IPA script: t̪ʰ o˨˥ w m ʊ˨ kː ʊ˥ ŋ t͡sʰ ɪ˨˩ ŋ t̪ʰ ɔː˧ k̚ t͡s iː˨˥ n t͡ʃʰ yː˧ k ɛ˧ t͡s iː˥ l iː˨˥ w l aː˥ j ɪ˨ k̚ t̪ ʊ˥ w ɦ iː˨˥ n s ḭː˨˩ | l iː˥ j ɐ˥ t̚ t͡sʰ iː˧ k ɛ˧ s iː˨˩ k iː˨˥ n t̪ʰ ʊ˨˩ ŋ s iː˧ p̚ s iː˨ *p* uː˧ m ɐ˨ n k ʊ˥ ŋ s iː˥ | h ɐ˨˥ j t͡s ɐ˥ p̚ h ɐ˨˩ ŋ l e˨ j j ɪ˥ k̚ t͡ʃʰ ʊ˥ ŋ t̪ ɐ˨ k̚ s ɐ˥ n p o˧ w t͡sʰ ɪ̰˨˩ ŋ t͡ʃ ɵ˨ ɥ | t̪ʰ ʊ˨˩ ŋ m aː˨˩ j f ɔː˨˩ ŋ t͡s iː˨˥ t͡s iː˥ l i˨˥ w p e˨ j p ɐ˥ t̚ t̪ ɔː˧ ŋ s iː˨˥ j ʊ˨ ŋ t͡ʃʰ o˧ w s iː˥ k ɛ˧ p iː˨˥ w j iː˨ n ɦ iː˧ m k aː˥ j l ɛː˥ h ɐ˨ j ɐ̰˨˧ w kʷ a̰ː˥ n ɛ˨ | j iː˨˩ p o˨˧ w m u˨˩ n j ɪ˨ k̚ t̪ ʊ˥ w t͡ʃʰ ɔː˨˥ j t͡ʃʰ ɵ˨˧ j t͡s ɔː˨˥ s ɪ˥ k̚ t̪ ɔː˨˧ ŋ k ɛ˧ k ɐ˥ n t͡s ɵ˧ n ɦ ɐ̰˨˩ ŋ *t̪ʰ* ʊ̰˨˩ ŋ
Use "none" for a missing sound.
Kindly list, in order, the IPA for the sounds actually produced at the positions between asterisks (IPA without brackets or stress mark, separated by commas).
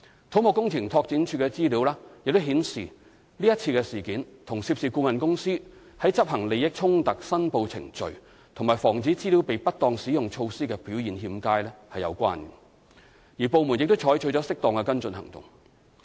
k, t̪